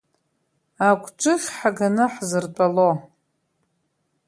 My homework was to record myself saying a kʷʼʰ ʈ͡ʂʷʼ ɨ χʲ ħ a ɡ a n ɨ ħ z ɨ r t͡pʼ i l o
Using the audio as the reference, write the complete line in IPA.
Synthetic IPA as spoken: a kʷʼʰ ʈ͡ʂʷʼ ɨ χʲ ħ a ɡ a n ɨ ħ z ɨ r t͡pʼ a l o